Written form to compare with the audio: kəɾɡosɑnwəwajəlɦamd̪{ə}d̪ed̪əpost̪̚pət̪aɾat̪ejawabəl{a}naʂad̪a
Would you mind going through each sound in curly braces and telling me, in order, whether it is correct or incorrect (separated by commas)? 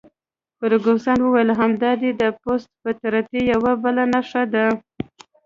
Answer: incorrect, correct